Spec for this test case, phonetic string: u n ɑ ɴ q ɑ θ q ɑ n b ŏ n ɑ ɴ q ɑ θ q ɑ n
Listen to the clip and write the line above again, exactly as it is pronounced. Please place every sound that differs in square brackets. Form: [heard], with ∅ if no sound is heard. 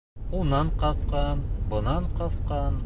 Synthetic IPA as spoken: u n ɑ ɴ q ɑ θ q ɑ n b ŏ n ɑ ɴ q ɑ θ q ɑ n